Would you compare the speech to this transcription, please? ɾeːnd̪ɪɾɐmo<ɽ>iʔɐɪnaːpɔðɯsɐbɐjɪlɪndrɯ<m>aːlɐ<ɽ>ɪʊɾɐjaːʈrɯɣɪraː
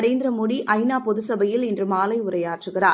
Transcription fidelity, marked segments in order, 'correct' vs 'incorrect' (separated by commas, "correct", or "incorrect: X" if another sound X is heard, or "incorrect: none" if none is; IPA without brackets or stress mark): correct, correct, incorrect: none